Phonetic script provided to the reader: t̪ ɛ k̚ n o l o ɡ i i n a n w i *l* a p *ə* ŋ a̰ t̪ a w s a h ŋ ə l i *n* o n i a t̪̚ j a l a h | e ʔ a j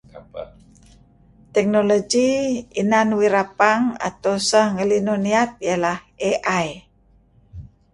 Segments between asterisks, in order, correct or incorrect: incorrect: ɾ, incorrect: a, correct

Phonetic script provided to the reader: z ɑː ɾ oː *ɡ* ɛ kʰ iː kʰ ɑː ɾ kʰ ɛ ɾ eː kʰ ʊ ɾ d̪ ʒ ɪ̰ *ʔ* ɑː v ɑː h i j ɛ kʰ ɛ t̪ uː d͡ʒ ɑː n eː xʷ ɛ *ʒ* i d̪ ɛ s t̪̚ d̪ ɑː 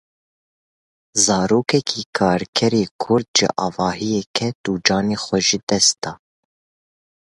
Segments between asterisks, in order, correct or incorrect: incorrect: k, correct, correct

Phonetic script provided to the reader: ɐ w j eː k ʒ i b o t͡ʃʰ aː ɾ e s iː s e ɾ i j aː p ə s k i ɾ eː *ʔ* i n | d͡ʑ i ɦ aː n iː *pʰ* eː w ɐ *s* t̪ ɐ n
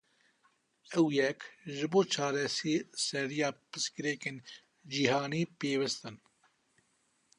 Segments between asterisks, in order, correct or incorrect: incorrect: k, incorrect: p, correct

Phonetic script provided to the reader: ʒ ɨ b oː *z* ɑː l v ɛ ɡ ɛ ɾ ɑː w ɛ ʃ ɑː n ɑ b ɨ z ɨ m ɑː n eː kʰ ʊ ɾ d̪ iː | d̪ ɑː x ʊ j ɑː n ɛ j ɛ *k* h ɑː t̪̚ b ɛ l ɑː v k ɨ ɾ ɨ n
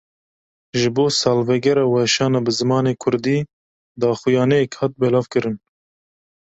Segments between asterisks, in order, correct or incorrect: incorrect: s, correct

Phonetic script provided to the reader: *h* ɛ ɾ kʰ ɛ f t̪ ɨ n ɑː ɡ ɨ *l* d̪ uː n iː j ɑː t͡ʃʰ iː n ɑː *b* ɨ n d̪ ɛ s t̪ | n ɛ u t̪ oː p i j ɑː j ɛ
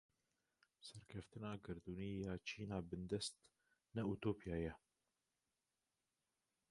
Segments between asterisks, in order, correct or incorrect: incorrect: s, incorrect: ɾ, correct

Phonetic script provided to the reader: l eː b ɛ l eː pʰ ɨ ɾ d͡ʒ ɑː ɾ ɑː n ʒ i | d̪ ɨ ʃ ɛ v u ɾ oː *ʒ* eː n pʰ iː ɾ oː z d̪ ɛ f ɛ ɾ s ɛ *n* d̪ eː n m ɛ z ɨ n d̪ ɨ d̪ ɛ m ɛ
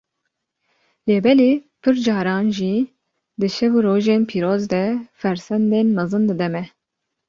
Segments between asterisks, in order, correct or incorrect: correct, correct

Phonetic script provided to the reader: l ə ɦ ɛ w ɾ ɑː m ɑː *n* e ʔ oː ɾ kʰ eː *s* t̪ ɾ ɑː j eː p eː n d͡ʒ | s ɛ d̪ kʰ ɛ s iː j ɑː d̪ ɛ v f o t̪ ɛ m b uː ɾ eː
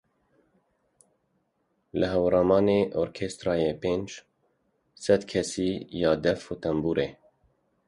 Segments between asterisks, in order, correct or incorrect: correct, correct

